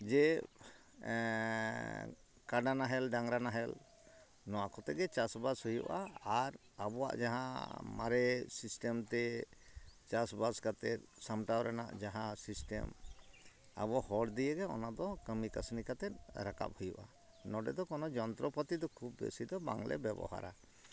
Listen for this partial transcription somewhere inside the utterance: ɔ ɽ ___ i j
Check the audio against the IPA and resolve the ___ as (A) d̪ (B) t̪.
A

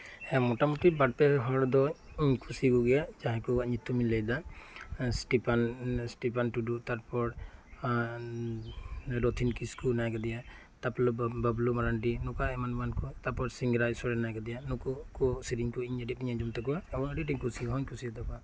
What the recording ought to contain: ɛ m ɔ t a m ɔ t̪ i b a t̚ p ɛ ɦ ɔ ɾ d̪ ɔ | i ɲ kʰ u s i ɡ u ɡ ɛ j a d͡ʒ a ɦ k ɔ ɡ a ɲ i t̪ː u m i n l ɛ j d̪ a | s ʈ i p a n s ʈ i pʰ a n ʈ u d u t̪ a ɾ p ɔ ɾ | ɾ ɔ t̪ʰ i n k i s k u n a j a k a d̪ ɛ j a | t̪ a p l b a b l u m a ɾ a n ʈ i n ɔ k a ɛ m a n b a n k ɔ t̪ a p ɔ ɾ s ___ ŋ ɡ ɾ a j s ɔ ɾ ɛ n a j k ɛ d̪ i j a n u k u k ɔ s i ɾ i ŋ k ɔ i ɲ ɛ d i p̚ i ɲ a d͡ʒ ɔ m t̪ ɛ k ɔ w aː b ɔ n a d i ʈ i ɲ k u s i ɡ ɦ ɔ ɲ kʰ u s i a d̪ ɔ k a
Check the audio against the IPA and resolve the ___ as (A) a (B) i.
B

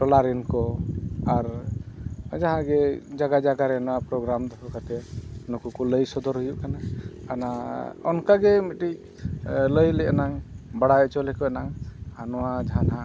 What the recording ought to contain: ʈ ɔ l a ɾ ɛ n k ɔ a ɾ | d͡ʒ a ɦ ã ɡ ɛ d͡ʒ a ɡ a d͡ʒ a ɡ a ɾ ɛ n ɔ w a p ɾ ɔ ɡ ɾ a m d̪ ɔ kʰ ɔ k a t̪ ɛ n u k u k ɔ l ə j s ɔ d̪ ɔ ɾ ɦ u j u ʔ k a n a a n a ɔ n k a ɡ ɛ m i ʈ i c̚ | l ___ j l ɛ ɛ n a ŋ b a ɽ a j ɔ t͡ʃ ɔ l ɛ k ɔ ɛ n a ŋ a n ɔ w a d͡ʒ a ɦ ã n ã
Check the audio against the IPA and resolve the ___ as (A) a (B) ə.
B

